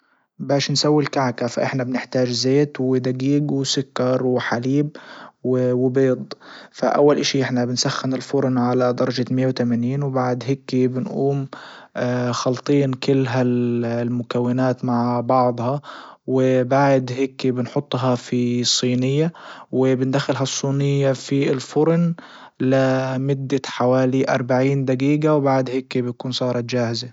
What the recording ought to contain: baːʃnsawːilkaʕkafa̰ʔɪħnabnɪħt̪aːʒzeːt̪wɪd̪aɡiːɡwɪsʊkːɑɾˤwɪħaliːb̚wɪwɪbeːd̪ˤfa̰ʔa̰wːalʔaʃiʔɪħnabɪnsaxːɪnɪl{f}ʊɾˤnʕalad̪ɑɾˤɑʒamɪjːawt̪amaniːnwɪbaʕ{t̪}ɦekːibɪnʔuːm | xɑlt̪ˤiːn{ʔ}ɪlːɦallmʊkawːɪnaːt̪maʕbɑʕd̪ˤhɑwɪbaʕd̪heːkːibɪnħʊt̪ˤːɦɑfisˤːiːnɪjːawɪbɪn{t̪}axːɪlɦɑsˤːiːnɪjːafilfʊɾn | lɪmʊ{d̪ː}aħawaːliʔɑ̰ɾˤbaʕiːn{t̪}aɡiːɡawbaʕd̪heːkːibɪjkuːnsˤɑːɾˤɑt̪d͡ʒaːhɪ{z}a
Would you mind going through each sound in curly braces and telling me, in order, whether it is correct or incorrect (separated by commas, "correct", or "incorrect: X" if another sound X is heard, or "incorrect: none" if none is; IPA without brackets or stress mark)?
correct, incorrect: d̪, incorrect: k, incorrect: d̪, correct, incorrect: d̪, correct